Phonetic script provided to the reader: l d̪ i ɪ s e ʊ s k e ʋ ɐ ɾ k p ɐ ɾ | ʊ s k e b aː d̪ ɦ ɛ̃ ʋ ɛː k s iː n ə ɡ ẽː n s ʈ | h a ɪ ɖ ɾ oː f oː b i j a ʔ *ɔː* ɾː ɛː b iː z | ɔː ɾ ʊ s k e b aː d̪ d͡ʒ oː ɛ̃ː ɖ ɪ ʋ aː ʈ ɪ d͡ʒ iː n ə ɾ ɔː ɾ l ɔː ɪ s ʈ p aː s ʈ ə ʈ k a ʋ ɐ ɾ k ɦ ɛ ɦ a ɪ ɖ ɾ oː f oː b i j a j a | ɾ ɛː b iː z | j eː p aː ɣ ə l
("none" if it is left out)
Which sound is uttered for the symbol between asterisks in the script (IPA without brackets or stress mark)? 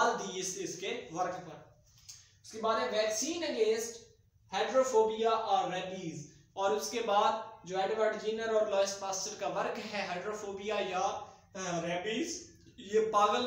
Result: ɔː